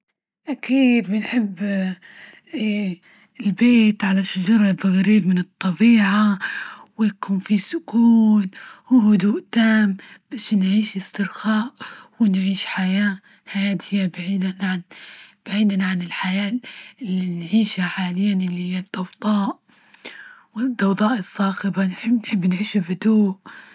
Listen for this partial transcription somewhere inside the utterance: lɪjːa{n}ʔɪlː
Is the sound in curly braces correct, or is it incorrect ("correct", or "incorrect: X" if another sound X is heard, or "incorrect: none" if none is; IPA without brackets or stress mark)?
correct